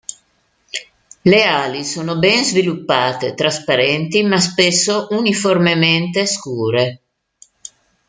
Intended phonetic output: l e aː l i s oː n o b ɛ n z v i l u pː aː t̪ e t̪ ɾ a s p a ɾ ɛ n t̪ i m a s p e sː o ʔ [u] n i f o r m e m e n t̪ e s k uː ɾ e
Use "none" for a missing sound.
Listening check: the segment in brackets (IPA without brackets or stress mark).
u